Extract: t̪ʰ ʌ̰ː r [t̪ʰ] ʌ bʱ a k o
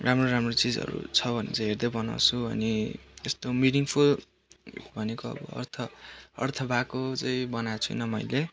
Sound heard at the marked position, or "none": t̪ʰ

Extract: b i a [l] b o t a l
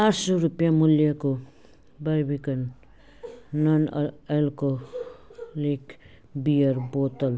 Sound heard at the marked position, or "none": ɾ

